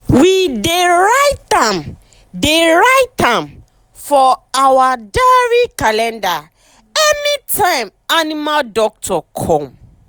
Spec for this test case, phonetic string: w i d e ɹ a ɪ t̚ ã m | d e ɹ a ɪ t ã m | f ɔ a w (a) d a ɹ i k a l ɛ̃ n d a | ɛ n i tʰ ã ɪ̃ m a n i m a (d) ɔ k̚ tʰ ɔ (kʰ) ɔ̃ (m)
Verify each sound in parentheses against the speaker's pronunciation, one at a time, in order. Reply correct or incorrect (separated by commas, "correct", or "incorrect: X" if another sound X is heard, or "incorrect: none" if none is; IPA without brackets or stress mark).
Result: correct, correct, correct, correct